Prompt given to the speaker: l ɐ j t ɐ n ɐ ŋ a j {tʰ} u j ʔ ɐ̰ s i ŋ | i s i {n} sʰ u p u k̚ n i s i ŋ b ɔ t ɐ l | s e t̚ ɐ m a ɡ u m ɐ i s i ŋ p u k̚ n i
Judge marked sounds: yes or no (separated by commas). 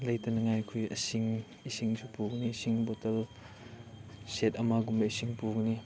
no, no